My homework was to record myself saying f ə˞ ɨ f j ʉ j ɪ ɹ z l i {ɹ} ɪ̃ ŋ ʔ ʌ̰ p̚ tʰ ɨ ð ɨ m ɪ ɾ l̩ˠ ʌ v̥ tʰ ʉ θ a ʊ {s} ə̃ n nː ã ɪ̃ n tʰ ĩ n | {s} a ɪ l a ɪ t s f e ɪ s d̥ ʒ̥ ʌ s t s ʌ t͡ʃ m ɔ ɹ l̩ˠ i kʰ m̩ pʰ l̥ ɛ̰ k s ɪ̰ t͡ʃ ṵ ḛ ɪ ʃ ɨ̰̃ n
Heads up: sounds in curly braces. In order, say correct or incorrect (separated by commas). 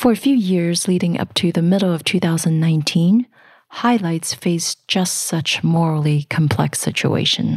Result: incorrect, incorrect, incorrect